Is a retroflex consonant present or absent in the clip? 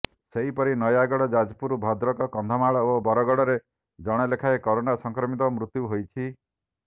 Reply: present